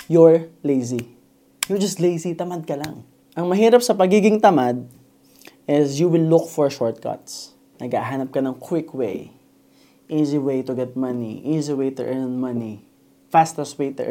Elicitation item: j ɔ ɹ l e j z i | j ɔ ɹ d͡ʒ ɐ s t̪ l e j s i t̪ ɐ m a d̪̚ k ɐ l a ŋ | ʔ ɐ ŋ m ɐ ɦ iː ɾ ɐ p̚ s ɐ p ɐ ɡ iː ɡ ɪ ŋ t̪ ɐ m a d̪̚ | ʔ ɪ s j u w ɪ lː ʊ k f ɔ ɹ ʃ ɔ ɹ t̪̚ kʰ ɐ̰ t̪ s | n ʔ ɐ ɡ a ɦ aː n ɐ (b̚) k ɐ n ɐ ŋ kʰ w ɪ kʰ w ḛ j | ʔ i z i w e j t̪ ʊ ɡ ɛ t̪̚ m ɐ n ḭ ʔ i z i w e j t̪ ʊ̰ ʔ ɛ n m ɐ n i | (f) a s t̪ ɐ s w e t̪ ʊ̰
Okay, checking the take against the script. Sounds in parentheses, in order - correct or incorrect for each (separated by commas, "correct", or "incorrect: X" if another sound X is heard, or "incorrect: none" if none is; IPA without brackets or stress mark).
incorrect: p̚, correct